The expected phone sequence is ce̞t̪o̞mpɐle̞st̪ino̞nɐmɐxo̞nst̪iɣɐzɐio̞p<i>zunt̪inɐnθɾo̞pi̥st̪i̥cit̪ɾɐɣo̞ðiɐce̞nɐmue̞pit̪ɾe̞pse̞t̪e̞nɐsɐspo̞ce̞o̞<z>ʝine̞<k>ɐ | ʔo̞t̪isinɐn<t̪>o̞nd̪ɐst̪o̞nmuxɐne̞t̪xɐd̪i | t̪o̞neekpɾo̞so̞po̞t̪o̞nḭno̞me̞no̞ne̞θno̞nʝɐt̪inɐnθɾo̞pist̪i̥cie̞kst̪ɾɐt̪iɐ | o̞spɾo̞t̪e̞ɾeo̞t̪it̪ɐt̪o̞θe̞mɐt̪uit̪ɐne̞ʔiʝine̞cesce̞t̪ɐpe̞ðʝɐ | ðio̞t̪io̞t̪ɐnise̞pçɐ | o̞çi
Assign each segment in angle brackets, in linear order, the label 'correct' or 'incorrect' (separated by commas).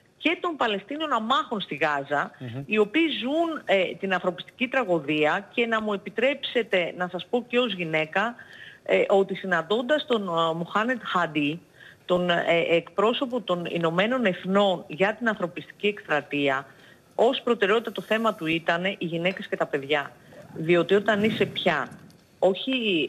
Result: incorrect, correct, correct, incorrect